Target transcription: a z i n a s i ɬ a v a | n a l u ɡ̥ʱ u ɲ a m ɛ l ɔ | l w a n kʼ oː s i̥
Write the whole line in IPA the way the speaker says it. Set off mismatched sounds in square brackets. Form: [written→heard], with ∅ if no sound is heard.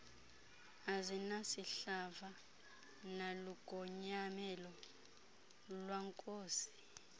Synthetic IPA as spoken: a z i n a s i ɬ a v a | n a l u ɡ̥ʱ [u→ɔ] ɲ a m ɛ l ɔ | l w a [n→ŋ] kʼ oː s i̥